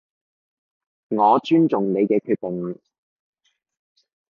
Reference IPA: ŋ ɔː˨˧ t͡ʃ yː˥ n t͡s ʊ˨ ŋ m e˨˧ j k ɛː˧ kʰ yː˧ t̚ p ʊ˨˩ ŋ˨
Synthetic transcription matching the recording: ŋ ɔː˨˧ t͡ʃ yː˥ n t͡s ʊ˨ ŋ n e˨˧ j k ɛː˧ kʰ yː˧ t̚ p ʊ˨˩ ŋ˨